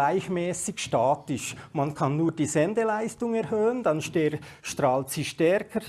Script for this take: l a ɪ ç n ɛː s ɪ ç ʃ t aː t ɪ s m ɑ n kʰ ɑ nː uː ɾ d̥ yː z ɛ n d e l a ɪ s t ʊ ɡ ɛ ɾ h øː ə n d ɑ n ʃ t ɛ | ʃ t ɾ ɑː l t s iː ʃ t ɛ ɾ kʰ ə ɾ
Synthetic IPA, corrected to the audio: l a ɪ ç m ɛː s ɪ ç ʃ t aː t ɪ ʃ m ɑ n kʰ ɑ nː uː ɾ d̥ iː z ɛ n d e l a ɪ s t ʊ ŋ ɛ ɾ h øː ə n d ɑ n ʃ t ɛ | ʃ t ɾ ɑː l t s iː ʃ t ɛ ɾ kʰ ə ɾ